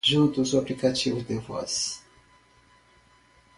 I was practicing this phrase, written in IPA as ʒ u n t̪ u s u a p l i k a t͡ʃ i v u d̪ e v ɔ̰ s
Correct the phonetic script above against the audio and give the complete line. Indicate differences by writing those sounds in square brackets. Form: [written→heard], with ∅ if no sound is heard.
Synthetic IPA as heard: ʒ u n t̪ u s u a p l i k a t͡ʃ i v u d̪ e v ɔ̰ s